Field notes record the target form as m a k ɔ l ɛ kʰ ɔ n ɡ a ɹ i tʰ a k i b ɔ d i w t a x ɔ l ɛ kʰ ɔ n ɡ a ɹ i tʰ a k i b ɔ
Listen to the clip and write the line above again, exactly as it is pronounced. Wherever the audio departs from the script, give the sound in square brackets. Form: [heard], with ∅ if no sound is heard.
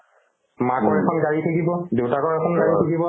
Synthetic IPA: m a k ɔ [ɹ] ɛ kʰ ɔ n ɡ a ɹ i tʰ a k i b ɔ d [e] w t a [k] ɔ [ɹ] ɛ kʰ ɔ n ɡ a ɹ i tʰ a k i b ɔ